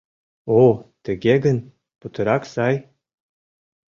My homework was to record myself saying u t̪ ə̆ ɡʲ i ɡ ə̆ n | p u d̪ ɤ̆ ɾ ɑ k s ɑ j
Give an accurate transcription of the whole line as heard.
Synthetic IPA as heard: o t̪ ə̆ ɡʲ e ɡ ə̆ n | p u t̪ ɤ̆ ɾ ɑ k s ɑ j